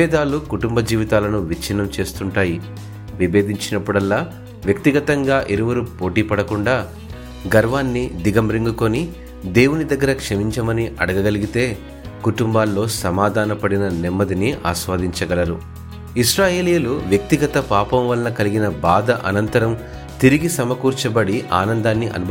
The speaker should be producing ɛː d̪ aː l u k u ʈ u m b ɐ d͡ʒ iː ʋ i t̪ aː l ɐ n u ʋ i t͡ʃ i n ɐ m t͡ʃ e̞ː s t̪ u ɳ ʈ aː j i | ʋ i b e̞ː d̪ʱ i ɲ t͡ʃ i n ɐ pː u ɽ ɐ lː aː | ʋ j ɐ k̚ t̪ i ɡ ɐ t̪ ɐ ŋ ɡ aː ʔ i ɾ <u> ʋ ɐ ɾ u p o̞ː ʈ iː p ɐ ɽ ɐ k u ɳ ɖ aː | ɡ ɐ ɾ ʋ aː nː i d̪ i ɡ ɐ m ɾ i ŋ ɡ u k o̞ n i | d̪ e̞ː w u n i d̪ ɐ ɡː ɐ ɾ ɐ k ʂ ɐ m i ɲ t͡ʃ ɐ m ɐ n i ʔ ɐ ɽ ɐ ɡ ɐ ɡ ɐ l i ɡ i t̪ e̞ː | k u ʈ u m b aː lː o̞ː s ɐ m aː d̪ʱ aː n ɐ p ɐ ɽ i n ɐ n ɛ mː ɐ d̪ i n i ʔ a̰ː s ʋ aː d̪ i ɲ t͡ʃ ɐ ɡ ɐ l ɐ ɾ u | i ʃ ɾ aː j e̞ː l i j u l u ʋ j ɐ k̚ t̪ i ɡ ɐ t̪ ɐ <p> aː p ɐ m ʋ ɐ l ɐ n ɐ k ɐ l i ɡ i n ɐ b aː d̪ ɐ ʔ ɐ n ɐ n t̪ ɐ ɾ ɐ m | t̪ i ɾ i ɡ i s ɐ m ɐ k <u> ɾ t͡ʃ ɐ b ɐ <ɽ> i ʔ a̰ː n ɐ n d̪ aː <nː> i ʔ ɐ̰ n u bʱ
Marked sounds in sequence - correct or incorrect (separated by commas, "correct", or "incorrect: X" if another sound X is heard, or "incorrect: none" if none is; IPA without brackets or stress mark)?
correct, correct, incorrect: uː, correct, correct